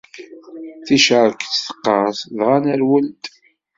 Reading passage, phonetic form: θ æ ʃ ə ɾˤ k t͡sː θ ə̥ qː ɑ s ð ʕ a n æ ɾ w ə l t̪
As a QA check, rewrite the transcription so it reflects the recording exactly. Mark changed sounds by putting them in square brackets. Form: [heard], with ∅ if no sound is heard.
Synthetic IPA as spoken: θ [i] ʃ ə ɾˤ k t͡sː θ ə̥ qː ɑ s ð [ʁ] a n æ ɾ w ə l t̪